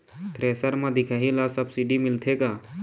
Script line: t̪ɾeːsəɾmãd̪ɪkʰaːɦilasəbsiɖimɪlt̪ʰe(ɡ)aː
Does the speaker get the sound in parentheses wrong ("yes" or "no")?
yes